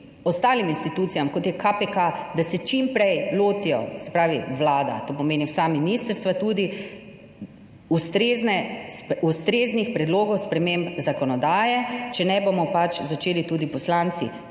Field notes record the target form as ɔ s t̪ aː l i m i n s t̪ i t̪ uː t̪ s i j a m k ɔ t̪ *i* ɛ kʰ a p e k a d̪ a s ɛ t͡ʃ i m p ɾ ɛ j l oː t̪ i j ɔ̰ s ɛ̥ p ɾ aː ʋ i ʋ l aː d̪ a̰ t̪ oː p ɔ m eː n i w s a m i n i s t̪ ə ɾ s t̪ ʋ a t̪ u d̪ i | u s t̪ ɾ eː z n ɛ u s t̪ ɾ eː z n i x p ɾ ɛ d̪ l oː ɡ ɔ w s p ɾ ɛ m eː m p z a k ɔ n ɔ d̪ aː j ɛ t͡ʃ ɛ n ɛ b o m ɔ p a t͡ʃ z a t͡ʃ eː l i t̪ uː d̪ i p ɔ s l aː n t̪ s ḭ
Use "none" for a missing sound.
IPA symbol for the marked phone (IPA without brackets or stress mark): j